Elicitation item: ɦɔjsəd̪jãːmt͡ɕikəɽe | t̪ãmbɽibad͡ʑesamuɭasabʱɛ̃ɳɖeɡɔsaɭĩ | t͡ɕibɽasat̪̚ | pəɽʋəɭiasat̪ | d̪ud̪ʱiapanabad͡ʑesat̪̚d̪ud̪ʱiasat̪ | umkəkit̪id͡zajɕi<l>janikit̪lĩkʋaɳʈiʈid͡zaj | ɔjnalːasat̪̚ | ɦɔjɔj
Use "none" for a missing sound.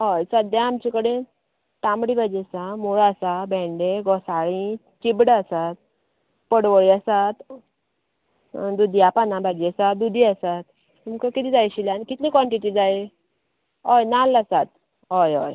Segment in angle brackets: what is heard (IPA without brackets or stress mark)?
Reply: l